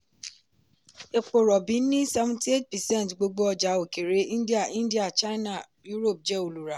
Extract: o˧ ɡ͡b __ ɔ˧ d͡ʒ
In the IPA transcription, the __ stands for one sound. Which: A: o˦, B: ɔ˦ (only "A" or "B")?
A